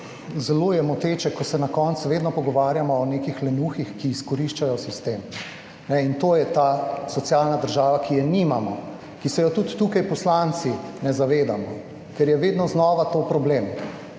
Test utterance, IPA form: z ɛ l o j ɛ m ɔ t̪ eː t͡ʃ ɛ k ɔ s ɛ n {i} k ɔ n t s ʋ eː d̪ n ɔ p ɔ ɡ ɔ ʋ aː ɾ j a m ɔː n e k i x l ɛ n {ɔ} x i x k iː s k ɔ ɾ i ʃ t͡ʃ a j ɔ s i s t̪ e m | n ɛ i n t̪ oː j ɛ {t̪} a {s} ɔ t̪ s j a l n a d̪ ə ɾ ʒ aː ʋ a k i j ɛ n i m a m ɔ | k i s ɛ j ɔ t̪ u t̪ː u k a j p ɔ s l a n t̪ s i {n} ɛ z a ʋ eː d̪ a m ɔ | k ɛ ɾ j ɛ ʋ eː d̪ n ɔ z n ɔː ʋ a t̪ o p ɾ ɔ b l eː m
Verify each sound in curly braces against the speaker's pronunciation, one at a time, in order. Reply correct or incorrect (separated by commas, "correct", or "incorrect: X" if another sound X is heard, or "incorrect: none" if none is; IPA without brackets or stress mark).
incorrect: a, incorrect: u, correct, correct, correct